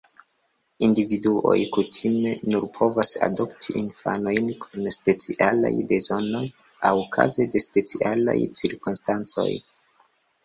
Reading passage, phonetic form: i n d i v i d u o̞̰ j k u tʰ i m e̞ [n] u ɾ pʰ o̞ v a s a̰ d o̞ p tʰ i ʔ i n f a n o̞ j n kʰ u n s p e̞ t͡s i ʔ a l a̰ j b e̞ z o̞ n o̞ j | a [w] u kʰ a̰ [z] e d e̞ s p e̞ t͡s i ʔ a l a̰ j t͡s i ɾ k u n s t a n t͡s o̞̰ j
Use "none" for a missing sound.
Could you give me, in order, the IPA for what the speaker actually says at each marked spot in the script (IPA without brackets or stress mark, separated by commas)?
n, w, z